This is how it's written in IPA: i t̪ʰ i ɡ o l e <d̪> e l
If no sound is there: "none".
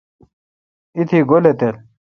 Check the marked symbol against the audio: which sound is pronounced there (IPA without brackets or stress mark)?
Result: t̪